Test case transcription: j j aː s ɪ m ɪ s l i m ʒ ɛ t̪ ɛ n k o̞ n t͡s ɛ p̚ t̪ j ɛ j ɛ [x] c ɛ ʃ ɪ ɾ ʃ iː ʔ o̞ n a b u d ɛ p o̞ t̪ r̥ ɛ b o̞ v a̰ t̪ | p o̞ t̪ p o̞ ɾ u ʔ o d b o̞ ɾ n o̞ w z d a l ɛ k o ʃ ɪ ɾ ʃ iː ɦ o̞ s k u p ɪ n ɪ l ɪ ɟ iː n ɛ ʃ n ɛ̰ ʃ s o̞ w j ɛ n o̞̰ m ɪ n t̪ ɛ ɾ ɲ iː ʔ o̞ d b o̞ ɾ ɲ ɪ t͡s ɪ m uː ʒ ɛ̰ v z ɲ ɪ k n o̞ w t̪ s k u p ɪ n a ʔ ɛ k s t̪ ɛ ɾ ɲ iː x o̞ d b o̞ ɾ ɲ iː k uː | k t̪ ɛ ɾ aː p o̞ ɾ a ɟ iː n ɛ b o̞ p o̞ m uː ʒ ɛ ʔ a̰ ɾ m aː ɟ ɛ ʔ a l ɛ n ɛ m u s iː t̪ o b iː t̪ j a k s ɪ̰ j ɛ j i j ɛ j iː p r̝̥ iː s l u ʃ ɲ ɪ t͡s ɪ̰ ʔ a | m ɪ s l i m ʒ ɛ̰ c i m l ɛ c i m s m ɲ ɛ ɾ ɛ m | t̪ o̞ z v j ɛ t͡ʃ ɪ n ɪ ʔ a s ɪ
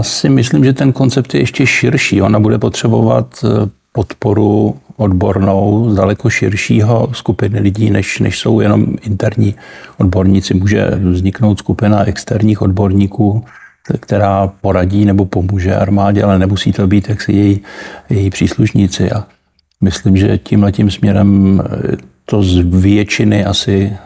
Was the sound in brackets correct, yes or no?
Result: no